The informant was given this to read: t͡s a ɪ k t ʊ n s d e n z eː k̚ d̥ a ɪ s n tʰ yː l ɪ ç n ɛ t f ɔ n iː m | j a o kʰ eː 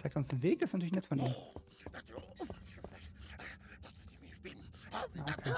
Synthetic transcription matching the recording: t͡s a ɪ k t ʊ n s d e n v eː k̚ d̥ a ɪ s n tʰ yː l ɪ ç n ɛ t f ɔ n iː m | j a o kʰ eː